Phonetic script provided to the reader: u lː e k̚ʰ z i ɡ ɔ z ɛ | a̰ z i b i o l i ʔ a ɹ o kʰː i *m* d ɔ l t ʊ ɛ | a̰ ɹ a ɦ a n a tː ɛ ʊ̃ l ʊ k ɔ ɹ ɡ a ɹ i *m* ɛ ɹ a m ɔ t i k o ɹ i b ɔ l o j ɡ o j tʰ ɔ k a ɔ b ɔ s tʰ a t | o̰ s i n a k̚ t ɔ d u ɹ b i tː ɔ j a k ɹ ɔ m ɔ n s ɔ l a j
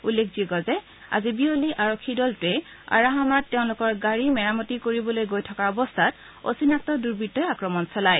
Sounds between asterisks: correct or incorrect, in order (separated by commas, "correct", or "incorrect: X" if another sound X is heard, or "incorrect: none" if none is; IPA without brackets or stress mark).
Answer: incorrect: none, correct